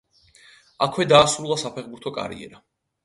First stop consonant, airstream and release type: aspirated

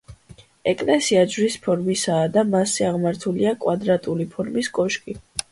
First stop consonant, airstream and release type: ejective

